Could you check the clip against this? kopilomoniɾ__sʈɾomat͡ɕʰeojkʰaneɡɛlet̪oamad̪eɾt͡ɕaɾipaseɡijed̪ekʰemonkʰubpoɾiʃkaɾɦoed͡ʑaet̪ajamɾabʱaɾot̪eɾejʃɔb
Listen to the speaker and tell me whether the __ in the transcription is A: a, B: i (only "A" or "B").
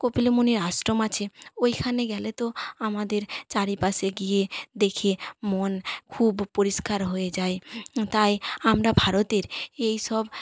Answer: A